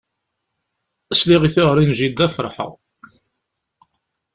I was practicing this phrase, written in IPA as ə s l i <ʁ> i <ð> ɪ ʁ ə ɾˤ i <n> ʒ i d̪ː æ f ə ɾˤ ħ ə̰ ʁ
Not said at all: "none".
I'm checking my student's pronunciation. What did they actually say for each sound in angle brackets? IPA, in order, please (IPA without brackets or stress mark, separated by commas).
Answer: ʁ, θ, n